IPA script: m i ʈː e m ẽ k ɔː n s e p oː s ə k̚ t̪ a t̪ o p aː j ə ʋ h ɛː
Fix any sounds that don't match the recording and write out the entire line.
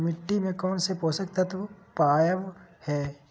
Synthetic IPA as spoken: m ɪ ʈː i m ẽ k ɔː n s e p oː s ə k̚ t̪ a t̪ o p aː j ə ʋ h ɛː